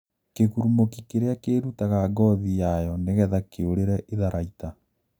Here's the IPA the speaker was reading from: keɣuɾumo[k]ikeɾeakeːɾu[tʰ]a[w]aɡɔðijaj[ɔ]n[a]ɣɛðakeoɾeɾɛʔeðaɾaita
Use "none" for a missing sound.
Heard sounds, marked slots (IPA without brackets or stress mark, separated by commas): k, t, ɣ, ɔ, e